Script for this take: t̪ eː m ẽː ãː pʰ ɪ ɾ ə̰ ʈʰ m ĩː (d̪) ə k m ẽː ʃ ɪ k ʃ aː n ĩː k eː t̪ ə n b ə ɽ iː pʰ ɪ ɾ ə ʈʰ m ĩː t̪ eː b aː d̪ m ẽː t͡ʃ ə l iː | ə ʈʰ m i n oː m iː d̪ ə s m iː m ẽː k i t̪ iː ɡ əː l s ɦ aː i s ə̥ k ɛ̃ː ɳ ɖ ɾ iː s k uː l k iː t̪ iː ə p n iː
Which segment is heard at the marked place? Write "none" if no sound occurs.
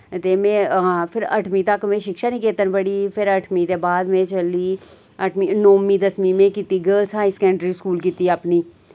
t̪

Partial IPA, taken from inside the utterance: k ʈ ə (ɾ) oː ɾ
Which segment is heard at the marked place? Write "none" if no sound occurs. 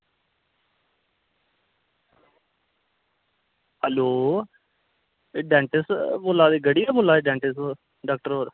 ɾ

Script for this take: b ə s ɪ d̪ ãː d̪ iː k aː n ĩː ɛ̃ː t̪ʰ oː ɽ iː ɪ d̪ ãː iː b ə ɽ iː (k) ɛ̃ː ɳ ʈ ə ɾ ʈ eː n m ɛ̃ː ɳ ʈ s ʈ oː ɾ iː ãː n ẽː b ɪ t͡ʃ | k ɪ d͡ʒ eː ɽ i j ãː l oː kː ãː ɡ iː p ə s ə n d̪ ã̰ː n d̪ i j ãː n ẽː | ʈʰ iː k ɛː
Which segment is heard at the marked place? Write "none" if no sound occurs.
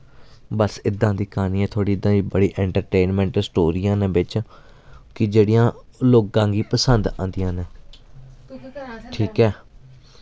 ʔ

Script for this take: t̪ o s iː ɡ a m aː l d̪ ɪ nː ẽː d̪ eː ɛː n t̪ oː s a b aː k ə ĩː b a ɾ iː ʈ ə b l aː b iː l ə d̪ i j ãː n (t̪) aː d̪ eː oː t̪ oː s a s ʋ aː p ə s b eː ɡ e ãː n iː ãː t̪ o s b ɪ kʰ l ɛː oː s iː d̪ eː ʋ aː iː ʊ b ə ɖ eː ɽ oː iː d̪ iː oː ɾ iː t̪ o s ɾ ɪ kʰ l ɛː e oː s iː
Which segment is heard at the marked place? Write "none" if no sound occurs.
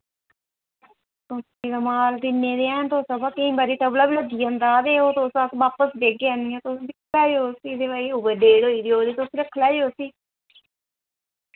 d̪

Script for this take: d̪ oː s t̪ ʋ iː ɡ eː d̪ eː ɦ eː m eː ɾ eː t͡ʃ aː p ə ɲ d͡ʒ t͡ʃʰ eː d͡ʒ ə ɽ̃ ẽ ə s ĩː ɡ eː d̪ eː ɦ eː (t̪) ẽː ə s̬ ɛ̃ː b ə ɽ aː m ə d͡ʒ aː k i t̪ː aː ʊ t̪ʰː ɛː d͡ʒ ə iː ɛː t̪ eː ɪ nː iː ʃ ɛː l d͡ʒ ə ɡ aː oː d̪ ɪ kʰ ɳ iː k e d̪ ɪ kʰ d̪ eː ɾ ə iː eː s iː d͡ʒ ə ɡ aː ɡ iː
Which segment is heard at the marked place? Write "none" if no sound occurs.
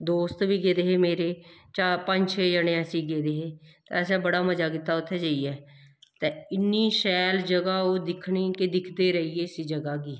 t̪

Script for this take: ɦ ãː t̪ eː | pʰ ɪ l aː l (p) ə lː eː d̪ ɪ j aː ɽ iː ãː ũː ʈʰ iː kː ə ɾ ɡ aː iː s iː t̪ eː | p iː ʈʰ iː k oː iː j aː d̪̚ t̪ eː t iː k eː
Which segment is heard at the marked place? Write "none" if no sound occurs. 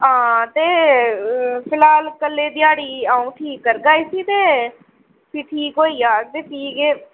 k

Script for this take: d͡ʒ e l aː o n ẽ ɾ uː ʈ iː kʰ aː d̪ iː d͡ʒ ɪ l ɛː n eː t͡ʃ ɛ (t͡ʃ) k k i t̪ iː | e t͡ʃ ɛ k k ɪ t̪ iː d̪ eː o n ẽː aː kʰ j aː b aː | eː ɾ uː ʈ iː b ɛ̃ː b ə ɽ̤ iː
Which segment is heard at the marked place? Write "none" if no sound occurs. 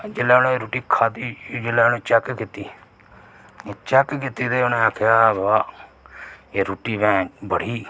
none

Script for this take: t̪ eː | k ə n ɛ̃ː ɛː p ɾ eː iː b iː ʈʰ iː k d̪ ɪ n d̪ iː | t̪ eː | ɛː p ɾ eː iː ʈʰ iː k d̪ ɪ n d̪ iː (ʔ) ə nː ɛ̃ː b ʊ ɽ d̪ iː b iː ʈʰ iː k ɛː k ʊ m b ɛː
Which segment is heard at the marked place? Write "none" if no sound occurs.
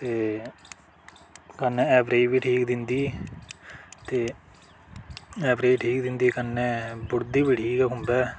k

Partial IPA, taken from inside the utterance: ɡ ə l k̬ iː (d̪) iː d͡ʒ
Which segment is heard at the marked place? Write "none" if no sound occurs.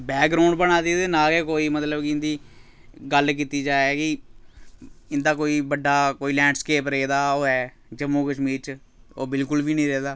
t̪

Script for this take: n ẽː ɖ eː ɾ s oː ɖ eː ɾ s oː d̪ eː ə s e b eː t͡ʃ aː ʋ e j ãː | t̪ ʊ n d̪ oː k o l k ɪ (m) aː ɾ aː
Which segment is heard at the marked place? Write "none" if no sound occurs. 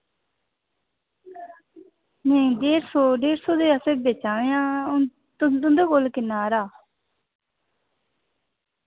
n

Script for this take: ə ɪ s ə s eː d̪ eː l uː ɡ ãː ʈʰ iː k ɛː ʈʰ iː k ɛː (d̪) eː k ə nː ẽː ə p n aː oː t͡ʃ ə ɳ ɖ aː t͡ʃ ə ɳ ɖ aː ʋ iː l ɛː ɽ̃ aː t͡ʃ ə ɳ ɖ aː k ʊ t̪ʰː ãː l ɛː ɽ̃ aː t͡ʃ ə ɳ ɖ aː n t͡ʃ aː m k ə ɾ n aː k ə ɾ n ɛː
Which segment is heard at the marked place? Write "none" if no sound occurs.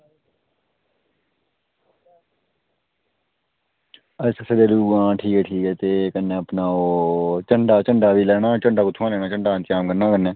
t̪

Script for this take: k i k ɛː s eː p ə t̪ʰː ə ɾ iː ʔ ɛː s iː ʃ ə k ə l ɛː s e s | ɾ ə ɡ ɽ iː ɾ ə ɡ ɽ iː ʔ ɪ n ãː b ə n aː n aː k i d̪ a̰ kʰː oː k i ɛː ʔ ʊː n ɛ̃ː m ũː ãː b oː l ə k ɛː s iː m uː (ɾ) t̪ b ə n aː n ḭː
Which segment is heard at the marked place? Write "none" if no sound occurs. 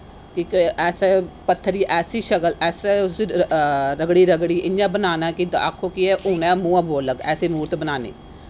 ɾ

